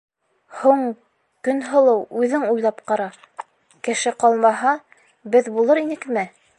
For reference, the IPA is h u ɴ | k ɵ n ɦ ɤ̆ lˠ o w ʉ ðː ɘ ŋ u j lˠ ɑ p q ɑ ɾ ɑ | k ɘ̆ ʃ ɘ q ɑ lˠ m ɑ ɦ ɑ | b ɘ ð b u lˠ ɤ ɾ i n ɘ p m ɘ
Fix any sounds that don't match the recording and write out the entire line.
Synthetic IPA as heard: h u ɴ | k ɵ n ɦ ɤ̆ lˠ ɤ w ʉ ð ɘ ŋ u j lˠ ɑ p q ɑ ɾ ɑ | k ɘ̆ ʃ ɘ q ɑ lˠ m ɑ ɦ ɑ | b ɘ ð b u lˠ ɤ ɾ i n ɘ k m ɘ